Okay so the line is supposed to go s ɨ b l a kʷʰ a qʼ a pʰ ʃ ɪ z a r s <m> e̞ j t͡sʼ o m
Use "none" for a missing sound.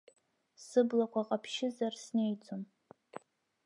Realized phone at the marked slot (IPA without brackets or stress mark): n